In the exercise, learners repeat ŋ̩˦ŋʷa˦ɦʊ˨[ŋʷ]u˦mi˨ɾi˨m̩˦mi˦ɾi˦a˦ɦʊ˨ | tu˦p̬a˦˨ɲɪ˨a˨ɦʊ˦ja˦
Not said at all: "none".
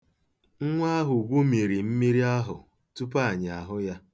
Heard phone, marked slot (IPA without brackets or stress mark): ɡʷ